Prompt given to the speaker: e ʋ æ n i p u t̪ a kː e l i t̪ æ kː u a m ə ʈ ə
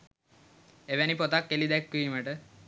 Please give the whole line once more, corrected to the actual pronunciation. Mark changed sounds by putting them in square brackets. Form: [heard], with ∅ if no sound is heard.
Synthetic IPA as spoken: e ʋ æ n i p [o] t̪ a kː e l i [d̪] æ kː u [i] m ə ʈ ə